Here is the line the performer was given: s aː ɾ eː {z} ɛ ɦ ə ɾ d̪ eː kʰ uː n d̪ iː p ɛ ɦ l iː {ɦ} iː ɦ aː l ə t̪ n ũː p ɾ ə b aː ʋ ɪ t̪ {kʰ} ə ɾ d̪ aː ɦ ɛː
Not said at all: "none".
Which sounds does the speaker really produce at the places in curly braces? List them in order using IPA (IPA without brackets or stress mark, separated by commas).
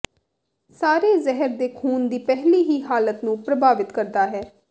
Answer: z, ɦ, k